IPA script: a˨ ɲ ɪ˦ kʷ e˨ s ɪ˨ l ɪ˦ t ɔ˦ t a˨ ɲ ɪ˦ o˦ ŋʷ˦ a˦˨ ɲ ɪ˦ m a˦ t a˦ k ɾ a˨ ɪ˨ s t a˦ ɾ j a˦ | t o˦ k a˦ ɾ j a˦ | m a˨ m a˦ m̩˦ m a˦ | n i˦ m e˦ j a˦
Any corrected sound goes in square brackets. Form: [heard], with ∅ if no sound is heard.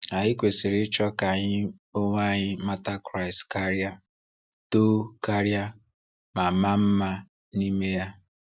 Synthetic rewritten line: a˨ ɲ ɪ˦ kʷ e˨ s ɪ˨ [ɾ] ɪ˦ [t͡ʃ] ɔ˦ [k] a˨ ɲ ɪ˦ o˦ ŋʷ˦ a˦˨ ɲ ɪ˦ m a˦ t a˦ k ɾ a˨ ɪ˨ s [k] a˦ ɾ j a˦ | t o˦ k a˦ ɾ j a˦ | m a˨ m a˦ m̩˦ m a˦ | n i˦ m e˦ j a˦